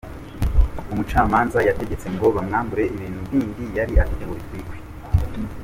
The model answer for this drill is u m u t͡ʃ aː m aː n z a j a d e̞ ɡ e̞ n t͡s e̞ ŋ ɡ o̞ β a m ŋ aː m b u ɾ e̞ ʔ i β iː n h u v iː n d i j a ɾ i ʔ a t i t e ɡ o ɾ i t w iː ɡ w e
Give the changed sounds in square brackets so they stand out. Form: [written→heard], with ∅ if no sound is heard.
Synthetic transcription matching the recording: u m u t͡ʃ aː m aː n z a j a [d→t] e̞ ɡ e̞ [n→∅] t͡s e̞ ŋ ɡ o̞ β a m ŋ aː m b u ɾ e̞ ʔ i β iː n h u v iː n d i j a ɾ i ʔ a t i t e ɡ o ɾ i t w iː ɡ w e